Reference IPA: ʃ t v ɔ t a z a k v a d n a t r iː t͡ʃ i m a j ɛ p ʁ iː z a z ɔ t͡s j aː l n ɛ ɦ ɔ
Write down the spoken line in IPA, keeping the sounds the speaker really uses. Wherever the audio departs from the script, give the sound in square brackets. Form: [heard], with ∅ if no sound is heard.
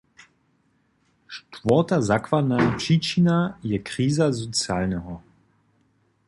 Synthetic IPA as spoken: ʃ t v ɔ t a z a k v a d n a [p] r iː t͡ʃ i [n] a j ɛ [k] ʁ iː z a z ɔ t͡s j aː l n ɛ ɦ ɔ